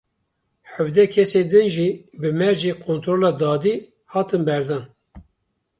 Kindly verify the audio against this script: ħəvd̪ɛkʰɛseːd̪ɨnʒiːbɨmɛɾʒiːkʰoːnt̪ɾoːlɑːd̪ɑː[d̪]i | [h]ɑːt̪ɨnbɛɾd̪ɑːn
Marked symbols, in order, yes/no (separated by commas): yes, yes